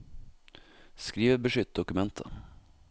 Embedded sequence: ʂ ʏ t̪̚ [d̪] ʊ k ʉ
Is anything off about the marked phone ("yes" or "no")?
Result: no